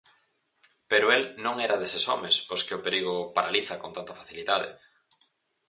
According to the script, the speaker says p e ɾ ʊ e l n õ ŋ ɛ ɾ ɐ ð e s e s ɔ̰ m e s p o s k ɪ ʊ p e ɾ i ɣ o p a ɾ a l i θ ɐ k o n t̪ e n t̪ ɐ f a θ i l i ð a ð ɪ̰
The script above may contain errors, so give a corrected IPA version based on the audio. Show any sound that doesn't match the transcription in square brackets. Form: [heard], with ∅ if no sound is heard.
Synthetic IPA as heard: p e ɾ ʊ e l n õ ŋ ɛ ɾ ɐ ð e s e s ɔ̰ m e s p o s k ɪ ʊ p e ɾ i ɣ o p a ɾ a l i θ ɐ k o n t̪ [a] n t̪ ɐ f a θ i l i ð a ð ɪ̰